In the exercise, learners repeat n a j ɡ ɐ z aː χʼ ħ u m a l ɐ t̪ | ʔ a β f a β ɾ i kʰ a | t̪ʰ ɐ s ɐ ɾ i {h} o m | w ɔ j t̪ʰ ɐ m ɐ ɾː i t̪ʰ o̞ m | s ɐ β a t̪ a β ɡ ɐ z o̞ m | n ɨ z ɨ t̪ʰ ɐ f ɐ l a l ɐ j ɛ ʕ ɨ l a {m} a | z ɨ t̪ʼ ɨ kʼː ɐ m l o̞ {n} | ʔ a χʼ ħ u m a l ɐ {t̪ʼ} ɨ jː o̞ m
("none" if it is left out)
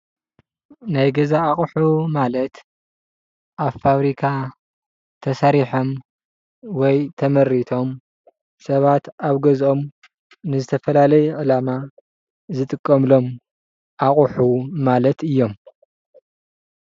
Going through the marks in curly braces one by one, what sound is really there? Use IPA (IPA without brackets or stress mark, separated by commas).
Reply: ħ, m, m, t̪